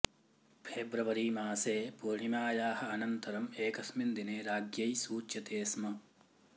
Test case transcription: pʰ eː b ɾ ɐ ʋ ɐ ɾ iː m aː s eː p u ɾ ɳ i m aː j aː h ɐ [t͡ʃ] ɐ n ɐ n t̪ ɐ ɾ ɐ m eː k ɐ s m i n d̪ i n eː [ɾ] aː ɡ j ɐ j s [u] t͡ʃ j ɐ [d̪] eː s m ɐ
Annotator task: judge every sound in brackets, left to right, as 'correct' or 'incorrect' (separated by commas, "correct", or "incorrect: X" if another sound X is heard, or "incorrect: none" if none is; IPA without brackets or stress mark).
incorrect: none, correct, incorrect: uː, incorrect: t̪